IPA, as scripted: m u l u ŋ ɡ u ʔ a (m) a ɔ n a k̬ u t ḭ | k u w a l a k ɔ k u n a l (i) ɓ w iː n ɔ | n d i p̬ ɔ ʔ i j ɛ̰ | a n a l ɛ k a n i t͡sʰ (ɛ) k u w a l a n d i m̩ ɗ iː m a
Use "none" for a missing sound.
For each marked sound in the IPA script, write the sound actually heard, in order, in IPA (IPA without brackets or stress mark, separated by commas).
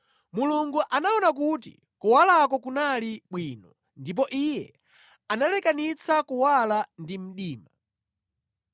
n, i, a